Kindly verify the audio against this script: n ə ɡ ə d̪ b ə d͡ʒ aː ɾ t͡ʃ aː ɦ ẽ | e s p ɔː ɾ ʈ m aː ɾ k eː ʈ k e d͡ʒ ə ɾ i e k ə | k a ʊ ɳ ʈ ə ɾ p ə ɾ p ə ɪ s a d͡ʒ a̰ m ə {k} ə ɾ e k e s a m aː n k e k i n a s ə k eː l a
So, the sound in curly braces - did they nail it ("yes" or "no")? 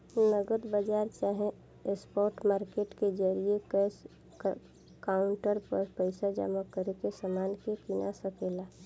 yes